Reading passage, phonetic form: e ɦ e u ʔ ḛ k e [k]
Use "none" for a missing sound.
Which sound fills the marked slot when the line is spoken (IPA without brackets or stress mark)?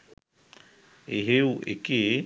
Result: none